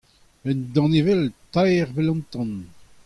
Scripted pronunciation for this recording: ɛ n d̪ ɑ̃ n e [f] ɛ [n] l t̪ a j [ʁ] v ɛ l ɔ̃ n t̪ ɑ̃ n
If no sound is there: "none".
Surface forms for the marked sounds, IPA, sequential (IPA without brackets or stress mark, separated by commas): v, none, ʁ